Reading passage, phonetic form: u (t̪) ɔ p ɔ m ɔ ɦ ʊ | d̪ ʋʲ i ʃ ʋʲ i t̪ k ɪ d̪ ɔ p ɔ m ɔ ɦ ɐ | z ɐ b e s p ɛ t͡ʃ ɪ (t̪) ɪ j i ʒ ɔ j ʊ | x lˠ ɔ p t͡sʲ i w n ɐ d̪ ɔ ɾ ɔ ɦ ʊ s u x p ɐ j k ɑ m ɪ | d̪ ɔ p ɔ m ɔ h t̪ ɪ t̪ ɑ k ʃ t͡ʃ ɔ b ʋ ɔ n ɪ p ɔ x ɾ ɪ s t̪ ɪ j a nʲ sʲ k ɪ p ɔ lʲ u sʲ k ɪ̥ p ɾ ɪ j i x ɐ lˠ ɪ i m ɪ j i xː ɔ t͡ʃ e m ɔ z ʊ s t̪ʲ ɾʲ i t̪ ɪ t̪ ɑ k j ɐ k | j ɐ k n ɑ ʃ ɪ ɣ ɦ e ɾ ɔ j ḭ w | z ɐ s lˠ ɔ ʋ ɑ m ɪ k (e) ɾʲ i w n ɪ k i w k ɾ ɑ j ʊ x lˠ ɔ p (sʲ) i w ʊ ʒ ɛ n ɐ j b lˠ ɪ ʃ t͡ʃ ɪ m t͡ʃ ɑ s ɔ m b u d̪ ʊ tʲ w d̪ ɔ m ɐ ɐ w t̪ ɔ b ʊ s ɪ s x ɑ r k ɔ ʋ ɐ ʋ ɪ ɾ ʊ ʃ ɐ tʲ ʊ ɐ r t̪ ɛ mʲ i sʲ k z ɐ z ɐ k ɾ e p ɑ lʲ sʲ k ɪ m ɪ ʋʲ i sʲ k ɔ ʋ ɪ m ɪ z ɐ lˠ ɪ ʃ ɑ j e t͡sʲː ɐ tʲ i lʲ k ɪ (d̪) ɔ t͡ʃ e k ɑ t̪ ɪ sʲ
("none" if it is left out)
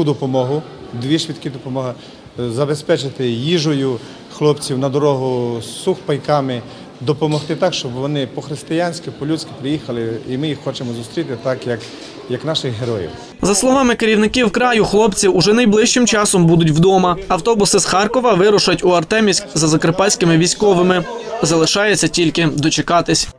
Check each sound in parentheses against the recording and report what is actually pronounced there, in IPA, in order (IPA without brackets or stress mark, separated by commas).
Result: d̪, t̪, e, t͡sʲ, d̪